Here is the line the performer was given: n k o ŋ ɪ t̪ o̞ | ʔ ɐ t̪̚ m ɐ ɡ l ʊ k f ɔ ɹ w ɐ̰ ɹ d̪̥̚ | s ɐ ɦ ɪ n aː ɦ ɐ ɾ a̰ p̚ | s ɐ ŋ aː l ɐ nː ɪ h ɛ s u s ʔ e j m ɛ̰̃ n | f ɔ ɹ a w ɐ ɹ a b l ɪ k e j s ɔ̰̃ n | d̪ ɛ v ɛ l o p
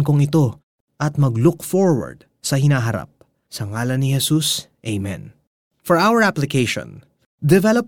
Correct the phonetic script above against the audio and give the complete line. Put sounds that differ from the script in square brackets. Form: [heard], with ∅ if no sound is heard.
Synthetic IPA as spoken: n k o ŋ ɪ t̪ o̞ | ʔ ɐ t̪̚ m ɐ ɡ l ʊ k f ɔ ɹ w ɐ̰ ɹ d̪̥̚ | s ɐ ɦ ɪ n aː ɦ ɐ ɾ a̰ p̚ | s ɐ ŋ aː l ɐ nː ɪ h ɛ s u s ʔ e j m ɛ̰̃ n | f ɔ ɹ a w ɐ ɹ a [p] l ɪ k e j [ʃ] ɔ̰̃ n | d̪ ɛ v ɛ l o p